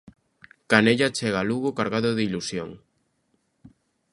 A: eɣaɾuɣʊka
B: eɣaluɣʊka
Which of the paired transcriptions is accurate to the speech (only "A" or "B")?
B